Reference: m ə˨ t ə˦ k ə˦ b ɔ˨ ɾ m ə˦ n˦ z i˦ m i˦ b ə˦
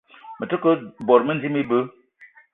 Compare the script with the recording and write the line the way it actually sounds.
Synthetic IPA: m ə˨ t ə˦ k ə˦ b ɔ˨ ɾ m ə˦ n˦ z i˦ m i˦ b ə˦

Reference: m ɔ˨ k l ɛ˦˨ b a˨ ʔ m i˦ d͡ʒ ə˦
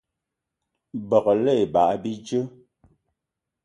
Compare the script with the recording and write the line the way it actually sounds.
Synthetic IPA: b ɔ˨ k l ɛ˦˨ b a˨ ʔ b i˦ d͡ʒ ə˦

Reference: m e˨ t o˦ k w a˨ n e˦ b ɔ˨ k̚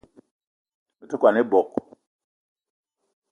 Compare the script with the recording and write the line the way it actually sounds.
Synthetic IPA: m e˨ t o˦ k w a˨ n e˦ b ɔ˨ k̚

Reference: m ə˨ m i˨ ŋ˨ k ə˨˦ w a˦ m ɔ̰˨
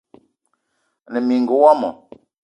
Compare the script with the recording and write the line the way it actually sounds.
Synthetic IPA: n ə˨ m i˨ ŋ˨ ɡ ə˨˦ w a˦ m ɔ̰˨

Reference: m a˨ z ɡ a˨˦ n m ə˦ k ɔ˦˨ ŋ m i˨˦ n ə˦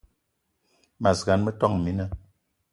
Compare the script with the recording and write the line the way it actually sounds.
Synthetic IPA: m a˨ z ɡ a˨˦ n m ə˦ t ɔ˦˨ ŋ m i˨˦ n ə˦

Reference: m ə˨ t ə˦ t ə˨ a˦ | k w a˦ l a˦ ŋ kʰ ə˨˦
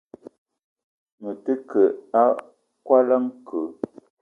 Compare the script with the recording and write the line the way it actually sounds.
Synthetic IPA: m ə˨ t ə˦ k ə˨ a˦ | k w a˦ l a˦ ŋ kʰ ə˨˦

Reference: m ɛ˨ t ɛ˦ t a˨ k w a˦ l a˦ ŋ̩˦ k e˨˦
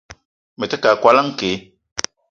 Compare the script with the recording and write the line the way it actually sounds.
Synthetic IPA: m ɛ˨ t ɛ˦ k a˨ k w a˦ l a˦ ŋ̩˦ k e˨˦

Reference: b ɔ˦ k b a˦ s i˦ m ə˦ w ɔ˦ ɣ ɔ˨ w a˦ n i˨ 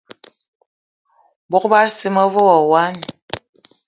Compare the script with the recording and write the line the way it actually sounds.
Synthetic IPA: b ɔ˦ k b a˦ s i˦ m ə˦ v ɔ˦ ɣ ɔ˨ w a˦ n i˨

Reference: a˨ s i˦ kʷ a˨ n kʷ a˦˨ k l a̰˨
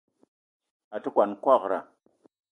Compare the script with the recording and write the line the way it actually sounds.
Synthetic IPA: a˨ t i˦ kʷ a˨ n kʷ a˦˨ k ɾ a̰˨

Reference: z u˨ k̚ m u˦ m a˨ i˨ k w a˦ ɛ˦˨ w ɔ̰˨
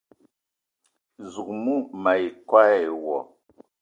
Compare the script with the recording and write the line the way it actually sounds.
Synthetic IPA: z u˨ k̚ m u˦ m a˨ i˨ k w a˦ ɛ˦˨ w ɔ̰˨

